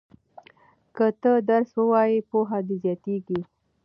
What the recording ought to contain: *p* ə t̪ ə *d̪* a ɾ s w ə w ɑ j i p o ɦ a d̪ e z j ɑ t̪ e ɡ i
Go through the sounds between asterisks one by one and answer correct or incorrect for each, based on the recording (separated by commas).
incorrect, correct